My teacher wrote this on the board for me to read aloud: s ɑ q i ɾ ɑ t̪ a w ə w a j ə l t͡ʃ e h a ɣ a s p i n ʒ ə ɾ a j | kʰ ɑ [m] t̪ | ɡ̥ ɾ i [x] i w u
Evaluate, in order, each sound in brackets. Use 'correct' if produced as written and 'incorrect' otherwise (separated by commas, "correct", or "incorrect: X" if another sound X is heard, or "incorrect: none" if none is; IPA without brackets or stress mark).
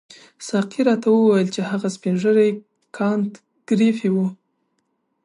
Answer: incorrect: n, incorrect: f